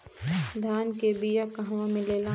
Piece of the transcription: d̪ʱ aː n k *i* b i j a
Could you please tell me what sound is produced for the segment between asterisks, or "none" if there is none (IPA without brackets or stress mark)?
e